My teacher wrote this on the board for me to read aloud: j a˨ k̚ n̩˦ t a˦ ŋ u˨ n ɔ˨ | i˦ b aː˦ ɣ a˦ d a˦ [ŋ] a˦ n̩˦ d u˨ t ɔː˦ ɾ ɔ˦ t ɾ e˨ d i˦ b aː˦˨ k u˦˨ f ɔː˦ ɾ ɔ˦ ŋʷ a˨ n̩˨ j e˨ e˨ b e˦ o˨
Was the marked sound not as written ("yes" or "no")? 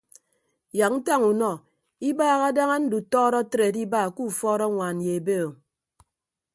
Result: no